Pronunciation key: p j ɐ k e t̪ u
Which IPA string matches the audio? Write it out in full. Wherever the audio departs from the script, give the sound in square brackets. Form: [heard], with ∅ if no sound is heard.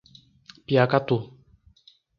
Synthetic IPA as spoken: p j [a] k [a] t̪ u

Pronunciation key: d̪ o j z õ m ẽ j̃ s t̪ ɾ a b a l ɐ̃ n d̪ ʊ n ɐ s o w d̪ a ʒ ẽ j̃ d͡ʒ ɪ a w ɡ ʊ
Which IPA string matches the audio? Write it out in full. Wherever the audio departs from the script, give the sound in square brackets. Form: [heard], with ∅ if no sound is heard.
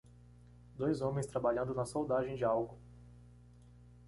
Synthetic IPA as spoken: d̪ o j z õ m ẽ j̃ s t̪ ɾ a b a [ʎ] ɐ̃ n d̪ ʊ n ɐ s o w d̪ a ʒ ẽ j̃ d͡ʒ ɪ a w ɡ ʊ

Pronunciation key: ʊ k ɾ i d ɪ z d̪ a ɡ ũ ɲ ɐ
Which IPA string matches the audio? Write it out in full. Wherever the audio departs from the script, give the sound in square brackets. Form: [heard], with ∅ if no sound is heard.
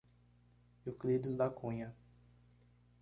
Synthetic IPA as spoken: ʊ k [l] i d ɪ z d̪ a [k] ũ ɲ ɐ

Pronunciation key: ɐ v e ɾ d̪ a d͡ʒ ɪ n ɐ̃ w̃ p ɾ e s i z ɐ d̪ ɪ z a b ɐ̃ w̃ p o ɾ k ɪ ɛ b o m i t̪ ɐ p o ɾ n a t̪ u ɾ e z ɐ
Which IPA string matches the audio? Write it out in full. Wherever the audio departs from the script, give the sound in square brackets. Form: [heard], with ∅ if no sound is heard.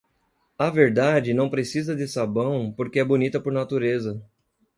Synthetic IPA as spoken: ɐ v e ɾ d̪ a d͡ʒ ɪ n ɐ̃ w̃ p ɾ e s i z ɐ d̪ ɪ [s] a b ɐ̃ w̃ p o ɾ k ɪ ɛ b o [n] i t̪ ɐ p o ɾ n a t̪ u ɾ e z ɐ

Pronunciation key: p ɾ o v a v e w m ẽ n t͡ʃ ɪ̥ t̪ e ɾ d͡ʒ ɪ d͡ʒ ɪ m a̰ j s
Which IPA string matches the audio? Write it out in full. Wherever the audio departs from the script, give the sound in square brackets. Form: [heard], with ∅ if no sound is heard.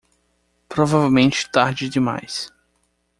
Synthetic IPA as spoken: p ɾ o v a v e w m ẽ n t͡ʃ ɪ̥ t̪ [a] ɾ d͡ʒ ɪ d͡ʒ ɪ m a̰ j s

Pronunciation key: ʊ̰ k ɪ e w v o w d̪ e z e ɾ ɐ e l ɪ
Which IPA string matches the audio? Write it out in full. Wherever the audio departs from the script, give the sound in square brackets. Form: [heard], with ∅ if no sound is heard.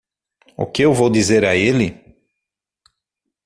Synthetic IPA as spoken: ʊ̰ k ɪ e w v o w d̪ [i] z e ɾ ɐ e l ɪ

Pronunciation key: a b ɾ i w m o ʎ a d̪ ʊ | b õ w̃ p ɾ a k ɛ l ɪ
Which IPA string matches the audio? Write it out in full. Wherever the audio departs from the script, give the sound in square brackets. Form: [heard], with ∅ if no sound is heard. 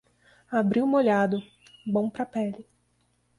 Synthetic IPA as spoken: a b ɾ i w m o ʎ a d̪ ʊ | b õ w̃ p ɾ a [p] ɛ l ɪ

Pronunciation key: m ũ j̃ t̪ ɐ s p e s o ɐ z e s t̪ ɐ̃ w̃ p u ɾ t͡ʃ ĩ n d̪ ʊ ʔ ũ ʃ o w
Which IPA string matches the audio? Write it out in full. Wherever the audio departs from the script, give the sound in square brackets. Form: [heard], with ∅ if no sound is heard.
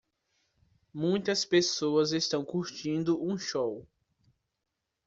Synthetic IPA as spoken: m ũ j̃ t̪ ɐ s p e s o ɐ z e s t̪ ɐ̃ w̃ [k] u ɾ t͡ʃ ĩ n d̪ ʊ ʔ ũ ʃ o w

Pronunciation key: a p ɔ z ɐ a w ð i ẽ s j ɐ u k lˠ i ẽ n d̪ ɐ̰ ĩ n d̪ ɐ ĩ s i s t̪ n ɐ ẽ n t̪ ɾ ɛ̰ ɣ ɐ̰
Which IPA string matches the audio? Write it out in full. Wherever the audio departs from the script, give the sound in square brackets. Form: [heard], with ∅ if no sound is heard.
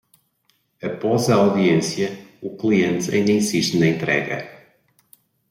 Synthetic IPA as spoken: [ɐ] p ɔ z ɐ a w ð i ẽ s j ɐ u k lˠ i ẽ n [t̪] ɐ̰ ĩ n d̪ ɐ ĩ s i [ʃ] t̪ n ɐ ẽ n t̪ ɾ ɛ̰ ɣ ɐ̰

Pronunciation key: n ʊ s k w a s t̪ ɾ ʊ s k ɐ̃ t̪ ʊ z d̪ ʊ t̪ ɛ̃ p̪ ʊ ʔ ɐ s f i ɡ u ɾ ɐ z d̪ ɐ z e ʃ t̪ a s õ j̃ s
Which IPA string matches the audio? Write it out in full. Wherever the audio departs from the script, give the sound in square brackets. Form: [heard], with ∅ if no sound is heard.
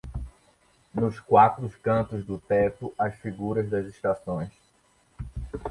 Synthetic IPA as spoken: n ʊ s k w a [∅] t̪ ɾ ʊ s k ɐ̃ t̪ ʊ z d̪ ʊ t̪ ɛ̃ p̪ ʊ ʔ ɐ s f i ɡ u ɾ ɐ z d̪ ɐ z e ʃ t̪ a s õ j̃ s

